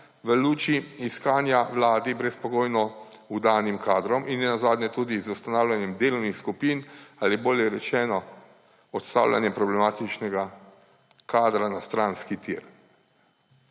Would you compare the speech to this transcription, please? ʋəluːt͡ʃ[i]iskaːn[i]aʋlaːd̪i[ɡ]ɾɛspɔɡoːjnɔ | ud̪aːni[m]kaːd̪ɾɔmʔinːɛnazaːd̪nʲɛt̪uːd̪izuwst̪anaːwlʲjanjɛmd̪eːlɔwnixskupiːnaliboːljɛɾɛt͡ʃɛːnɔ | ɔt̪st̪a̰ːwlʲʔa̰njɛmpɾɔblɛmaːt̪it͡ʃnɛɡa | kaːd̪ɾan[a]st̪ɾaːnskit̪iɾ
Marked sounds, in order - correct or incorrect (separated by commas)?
correct, incorrect, incorrect, correct, correct